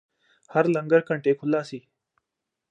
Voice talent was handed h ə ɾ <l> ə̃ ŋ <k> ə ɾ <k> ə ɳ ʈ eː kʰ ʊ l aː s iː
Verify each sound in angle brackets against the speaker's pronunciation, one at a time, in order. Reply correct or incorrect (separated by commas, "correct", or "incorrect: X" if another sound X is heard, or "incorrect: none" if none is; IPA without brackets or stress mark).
correct, incorrect: ɡ, correct